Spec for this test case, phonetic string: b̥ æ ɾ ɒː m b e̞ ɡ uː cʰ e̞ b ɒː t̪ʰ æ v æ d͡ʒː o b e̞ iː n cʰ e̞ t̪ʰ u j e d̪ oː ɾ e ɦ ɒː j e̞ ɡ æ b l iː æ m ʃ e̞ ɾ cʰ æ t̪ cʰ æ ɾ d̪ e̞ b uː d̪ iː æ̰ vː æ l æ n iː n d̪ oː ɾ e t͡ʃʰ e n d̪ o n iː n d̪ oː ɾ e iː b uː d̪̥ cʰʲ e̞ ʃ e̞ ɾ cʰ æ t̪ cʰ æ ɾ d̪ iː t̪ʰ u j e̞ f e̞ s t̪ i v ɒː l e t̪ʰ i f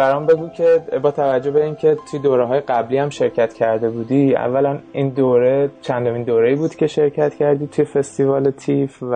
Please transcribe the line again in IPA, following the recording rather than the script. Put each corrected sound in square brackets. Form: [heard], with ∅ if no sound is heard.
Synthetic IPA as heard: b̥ æ ɾ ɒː m b e̞ ɡ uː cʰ e̞ b ɒː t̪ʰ æ v æ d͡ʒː o b e̞ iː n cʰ e̞ t̪ʰ u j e d̪ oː ɾ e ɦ ɒː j e̞ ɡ æ b l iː æ m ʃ e̞ ɾ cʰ æ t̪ cʰ æ ɾ d̪ e̞ b uː d̪ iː æ̰ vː æ l æ n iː n d̪ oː ɾ e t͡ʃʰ [æ] n d̪ o [m] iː n d̪ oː ɾ e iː b uː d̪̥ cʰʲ e̞ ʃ e̞ ɾ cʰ æ t̪ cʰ æ ɾ d̪ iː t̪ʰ u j e̞ f e̞ s t̪ i v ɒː l e t̪ʰ i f